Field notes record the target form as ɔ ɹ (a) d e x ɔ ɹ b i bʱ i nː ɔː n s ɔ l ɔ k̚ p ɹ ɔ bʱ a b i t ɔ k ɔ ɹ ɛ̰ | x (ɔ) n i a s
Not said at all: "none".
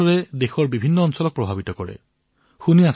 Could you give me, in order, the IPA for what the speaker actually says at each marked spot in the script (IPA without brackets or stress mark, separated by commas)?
ɛ, u